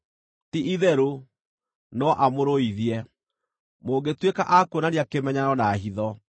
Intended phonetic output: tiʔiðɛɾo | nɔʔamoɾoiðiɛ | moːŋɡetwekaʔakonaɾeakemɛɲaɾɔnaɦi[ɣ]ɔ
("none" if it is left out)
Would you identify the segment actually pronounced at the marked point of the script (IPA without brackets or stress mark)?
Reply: ð